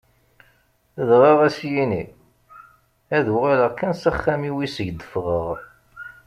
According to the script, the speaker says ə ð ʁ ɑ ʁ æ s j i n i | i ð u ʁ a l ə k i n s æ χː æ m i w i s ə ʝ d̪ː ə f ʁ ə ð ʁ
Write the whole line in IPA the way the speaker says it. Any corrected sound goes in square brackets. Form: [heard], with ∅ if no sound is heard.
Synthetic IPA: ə ð ʁ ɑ ʁ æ s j i n i | [æ] ð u ʁ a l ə k [æ] n s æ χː æ m i w i s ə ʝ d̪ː ə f ʁ ə [∅] ʁ